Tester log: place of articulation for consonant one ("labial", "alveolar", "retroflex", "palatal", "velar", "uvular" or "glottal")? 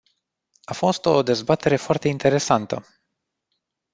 labial